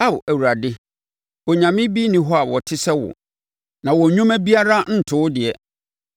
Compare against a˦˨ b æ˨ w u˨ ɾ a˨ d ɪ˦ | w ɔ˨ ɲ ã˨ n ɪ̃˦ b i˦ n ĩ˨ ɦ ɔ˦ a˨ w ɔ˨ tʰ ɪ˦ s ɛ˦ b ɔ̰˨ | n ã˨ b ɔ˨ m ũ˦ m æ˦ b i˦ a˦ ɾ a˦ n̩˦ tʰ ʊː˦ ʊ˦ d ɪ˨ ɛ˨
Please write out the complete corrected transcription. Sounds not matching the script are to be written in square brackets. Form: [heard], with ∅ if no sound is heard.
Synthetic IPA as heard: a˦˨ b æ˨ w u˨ ɾ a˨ d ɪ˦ | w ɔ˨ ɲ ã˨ [m] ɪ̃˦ b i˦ n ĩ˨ ɦ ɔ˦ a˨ w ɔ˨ tʰ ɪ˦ s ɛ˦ [w] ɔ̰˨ | n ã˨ [w] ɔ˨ [ɲ] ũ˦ m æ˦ b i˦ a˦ ɾ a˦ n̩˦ tʰ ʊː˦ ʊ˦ d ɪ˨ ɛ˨